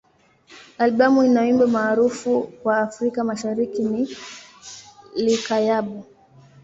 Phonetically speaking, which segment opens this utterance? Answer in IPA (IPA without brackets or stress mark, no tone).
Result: a